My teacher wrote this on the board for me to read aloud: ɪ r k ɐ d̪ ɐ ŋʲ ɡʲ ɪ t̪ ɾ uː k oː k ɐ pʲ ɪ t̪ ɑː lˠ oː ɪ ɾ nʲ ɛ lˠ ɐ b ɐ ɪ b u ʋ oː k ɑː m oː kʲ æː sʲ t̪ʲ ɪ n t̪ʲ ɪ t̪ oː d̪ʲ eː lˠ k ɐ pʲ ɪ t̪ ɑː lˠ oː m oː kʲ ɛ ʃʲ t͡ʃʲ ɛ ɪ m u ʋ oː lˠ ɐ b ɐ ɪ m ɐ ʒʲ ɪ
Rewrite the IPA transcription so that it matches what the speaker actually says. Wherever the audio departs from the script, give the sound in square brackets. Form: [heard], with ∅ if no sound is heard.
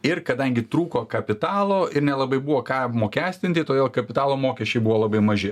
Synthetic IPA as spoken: ɪ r k ɐ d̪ ɐ ŋʲ ɡʲ ɪ t̪ ɾ uː k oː k ɐ pʲ ɪ t̪ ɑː lˠ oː ɪ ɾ nʲ ɛ lˠ ɐ b ɐ ɪ b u ʋ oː k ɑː m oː kʲ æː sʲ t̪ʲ ɪ n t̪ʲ ɪ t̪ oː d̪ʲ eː lˠ k ɐ pʲ ɪ t̪ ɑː lˠ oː m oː kʲ ɛ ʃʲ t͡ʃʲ ɛ ɪ [b] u ʋ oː lˠ ɐ b ɐ ɪ m ɐ ʒʲ ɪ